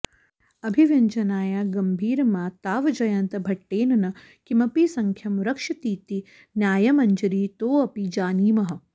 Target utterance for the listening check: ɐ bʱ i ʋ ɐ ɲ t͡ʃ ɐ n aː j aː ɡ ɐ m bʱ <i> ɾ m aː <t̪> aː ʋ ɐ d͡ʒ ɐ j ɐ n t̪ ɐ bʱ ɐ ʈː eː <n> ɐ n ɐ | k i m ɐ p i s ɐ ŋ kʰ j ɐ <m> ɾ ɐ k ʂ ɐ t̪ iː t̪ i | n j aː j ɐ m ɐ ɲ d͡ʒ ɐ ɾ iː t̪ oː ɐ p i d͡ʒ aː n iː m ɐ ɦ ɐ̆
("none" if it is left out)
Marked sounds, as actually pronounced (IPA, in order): iː, t̪, n, m

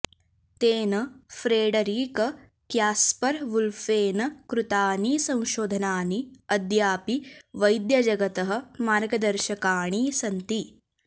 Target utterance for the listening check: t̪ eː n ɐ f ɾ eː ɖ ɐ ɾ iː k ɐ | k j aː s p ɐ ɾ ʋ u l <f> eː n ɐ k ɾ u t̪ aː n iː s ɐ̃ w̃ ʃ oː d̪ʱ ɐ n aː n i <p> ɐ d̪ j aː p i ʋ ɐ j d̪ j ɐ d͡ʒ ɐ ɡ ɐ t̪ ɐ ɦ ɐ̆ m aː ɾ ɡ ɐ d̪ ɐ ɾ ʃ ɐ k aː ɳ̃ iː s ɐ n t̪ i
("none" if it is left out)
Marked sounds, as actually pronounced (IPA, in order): f, none

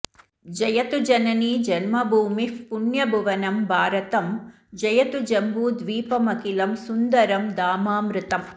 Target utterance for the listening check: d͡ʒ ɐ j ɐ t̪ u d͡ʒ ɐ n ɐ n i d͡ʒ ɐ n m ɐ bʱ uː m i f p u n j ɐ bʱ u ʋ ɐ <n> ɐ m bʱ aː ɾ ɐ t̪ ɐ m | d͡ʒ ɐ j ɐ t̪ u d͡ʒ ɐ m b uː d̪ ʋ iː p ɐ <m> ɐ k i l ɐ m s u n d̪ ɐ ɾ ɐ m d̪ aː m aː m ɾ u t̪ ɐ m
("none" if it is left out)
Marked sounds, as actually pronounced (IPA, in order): n, m

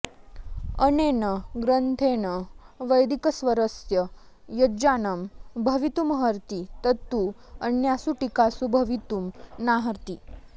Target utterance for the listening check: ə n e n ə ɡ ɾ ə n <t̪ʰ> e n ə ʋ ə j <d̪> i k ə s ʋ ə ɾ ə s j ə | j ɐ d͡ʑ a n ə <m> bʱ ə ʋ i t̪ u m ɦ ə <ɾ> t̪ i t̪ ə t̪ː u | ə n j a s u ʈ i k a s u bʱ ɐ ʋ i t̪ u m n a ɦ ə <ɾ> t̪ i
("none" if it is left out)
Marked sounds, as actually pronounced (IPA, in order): t̪ʰ, d̪, m, ɾ, ɾ

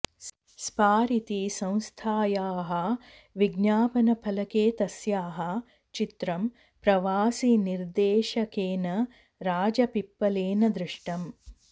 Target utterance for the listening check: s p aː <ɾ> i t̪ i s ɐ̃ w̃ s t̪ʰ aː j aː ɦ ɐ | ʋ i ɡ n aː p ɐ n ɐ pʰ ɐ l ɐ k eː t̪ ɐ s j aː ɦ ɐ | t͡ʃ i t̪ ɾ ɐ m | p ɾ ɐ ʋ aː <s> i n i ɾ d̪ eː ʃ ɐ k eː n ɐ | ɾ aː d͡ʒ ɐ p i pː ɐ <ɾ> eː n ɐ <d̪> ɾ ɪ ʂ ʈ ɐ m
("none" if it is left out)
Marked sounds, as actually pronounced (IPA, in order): ɾ, s, l, d̪

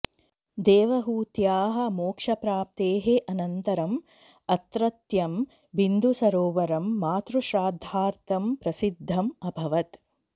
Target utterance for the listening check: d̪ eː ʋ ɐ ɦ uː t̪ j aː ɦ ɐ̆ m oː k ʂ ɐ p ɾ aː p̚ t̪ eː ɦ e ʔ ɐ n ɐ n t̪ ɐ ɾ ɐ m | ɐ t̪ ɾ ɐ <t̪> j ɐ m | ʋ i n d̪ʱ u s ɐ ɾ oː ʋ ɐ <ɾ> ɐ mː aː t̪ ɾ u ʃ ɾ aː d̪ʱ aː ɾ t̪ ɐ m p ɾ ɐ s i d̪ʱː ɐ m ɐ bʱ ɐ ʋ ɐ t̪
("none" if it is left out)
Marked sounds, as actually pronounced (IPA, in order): t̪, ɾ

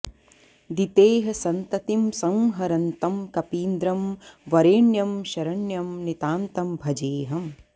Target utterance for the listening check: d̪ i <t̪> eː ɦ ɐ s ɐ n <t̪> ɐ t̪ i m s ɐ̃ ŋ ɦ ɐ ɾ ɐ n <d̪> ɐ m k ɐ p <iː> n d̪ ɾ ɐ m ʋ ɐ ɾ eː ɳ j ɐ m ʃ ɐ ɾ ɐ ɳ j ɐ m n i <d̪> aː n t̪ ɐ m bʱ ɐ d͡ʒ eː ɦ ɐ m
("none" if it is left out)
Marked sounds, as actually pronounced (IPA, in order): t̪, t̪, t̪, iː, t̪

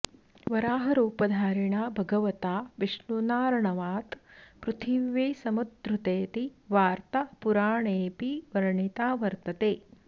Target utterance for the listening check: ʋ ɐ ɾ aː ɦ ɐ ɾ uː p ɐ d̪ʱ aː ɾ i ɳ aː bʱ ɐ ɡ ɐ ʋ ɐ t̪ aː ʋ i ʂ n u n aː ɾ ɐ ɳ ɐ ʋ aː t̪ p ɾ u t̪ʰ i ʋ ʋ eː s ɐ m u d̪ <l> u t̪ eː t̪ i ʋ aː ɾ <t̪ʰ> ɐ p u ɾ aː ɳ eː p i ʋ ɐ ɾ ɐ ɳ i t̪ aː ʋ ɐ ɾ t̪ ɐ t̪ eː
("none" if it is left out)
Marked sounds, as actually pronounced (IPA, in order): ɾ, t̪

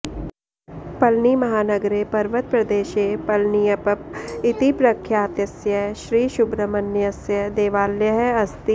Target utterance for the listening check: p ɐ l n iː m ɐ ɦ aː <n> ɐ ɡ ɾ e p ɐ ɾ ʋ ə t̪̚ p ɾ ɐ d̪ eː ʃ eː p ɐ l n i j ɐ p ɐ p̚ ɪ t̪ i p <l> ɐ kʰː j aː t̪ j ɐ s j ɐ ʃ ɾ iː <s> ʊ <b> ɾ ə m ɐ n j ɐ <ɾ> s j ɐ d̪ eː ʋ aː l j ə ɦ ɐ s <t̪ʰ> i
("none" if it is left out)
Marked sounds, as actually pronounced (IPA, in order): n, ɾ, ʃ, b, none, t̪

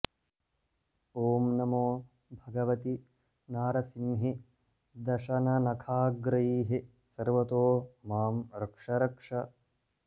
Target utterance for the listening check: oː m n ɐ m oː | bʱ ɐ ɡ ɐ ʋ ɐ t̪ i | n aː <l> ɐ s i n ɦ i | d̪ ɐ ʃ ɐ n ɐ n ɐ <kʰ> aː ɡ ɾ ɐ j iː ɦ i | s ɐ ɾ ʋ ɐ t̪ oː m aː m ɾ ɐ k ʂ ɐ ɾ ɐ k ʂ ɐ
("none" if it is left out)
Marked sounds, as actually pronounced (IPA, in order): ɾ, kʰ

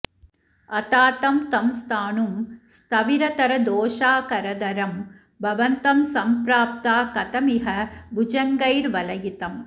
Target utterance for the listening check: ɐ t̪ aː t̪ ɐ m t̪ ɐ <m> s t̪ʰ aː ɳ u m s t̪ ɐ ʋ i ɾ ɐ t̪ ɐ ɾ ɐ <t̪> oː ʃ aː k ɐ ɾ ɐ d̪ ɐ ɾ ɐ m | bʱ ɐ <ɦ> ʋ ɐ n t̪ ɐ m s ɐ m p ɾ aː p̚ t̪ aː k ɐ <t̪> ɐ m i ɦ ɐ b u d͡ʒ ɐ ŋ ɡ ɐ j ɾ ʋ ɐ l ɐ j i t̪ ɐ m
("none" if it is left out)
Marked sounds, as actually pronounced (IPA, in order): m, d̪, none, t̪

